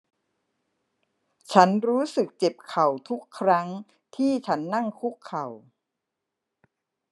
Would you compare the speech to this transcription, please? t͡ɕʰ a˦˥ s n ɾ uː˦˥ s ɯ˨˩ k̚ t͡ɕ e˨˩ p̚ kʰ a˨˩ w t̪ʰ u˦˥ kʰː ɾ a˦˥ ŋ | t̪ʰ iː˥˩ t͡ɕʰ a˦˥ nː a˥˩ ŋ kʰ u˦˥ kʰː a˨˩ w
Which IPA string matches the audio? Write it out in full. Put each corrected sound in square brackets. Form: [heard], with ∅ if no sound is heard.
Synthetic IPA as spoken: t͡ɕʰ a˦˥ [∅] n ɾ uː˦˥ s ɯ˨˩ k̚ t͡ɕ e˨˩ p̚ kʰ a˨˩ w t̪ʰ u˦˥ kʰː ɾ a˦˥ ŋ | t̪ʰ iː˥˩ t͡ɕʰ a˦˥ nː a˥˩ ŋ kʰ u˦˥ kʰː a˨˩ w